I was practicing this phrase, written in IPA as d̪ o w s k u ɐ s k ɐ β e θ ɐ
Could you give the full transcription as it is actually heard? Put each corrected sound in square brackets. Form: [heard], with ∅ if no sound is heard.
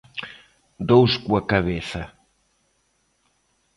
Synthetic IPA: d̪ o w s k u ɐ [∅] k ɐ β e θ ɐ